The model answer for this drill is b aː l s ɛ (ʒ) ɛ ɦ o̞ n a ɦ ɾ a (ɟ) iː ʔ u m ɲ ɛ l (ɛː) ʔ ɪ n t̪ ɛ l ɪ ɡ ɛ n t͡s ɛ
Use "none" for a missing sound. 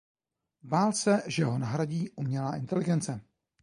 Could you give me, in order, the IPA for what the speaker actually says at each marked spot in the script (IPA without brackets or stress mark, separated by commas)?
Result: ʒ, ɟ, aː